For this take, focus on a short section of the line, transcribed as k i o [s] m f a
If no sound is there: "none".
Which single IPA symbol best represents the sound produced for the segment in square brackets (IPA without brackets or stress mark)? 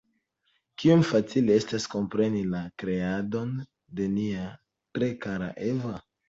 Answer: none